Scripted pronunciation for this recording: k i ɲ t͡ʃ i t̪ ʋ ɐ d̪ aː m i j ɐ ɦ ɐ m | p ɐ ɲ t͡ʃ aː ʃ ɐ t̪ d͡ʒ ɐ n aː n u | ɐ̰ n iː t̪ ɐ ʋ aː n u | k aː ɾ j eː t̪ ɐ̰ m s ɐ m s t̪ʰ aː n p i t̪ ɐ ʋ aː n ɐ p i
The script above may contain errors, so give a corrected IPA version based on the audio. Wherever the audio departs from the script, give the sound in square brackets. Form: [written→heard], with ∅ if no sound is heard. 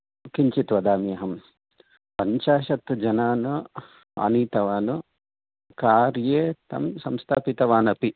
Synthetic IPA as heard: k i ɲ t͡ʃ i t̪ ʋ ɐ d̪ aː m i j ɐ ɦ ɐ m | p ɐ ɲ t͡ʃ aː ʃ ɐ t̪ d͡ʒ ɐ n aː n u | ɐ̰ n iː t̪ ɐ ʋ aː n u | k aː ɾ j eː t̪ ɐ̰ m s ɐ m s t̪ʰ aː [n→∅] p i t̪ ɐ ʋ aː n ɐ p i

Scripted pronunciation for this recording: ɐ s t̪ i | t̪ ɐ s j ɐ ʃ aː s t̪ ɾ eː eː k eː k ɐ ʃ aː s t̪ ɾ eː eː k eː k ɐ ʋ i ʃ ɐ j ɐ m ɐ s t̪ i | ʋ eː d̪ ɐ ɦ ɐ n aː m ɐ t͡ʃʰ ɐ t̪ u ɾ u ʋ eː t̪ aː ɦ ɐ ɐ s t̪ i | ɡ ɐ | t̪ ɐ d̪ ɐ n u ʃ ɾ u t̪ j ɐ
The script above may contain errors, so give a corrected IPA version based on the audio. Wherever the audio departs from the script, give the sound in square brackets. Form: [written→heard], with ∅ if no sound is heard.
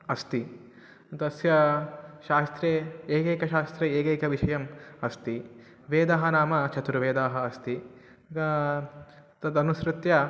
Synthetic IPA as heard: ɐ s t̪ i | t̪ ɐ s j ɐ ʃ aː s t̪ ɾ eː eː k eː k ɐ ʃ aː s t̪ ɾ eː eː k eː k ɐ ʋ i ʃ ɐ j ɐ m ɐ s t̪ i | ʋ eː d̪ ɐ ɦ ɐ n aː m ɐ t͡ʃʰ ɐ t̪ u ɾ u ʋ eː [t̪→d̪] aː ɦ ɐ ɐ s t̪ i | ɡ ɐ | t̪ ɐ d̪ ɐ n u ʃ ɾ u t̪ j ɐ

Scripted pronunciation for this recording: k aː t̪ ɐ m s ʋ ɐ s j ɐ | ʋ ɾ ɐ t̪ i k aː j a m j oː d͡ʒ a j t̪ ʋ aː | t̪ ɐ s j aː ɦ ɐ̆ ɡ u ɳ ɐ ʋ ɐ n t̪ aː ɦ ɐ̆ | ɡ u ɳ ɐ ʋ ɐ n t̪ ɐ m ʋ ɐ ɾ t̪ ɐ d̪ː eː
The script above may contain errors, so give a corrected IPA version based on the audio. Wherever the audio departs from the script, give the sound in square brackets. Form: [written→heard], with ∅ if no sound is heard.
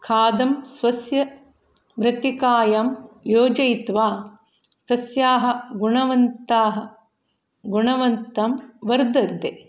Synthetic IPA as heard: [k→kʰ] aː [t̪→d̪] ɐ m s ʋ ɐ s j ɐ | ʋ ɾ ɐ t̪ i k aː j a m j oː d͡ʒ [a→ɐ] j t̪ ʋ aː | t̪ ɐ s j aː ɦ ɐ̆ ɡ u ɳ ɐ ʋ ɐ n t̪ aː ɦ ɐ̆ | ɡ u ɳ ɐ ʋ ɐ n t̪ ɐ m ʋ ɐ ɾ [t̪→d̪] ɐ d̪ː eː

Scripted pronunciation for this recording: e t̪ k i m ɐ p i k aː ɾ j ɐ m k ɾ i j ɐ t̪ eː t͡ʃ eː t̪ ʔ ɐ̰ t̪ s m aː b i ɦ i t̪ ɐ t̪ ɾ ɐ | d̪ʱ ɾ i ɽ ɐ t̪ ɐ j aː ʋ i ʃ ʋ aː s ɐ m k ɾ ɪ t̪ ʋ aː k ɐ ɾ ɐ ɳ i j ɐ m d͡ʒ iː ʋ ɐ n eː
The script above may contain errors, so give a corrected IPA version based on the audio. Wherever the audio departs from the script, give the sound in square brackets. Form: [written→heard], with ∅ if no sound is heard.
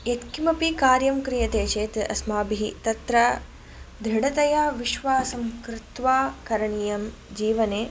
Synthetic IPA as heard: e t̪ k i m ɐ p i k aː ɾ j ɐ m k ɾ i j ɐ t̪ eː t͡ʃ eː t̪ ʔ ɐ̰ [t̪→∅] s m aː b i ɦ i t̪ ɐ t̪ ɾ ɐ | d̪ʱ ɾ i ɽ ɐ t̪ ɐ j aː ʋ i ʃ ʋ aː s ɐ m k ɾ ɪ t̪ ʋ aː k ɐ ɾ ɐ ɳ i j ɐ m d͡ʒ iː ʋ ɐ n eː

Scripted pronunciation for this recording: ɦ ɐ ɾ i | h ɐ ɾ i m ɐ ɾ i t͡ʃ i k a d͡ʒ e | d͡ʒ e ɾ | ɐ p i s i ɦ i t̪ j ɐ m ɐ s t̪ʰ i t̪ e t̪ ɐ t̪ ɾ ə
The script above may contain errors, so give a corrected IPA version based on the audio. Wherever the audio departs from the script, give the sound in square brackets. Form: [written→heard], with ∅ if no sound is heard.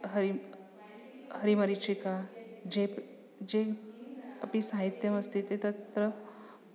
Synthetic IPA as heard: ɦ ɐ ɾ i | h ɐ ɾ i m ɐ ɾ i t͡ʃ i k a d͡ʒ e | d͡ʒ e [ɾ→∅] | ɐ p i s [i→a] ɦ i t̪ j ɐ m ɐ s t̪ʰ i t̪ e t̪ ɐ t̪ ɾ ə

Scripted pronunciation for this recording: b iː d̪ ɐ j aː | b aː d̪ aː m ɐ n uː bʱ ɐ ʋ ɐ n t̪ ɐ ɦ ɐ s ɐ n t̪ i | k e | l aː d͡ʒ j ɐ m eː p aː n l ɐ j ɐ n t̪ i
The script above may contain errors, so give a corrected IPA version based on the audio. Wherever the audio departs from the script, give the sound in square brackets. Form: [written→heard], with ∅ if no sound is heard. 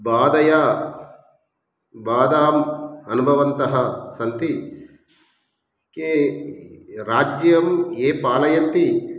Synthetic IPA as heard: b [iː→aː] d̪ ɐ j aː | b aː d̪ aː m ɐ n [uː→u] bʱ ɐ ʋ ɐ n t̪ ɐ ɦ ɐ s ɐ n t̪ i | k e | [l→ɾ] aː d͡ʒ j ɐ m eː p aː [n→∅] l ɐ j ɐ n t̪ i

